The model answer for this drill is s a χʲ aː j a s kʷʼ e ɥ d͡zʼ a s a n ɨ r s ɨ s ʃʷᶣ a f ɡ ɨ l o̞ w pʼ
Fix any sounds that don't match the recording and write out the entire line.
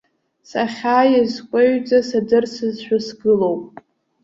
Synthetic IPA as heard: s a χʲ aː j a z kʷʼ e ɥ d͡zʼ a s a d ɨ r s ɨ z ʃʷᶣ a s ɡ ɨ l o̞ w pʼ